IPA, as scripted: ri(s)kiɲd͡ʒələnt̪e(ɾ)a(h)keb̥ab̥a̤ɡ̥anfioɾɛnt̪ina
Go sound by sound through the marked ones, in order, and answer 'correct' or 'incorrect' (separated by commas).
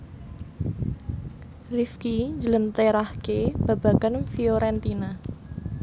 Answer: incorrect, correct, correct